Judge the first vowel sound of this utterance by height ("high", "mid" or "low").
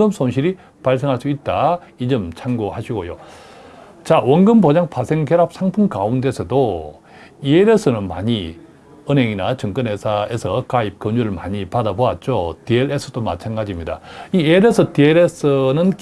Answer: high